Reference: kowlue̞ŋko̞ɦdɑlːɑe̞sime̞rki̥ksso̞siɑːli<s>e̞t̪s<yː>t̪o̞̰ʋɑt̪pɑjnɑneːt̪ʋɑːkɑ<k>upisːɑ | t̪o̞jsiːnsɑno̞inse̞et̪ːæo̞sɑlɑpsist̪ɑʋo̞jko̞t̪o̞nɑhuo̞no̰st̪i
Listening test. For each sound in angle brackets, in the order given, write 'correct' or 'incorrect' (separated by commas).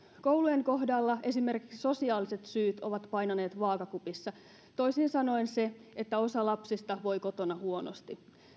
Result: correct, correct, correct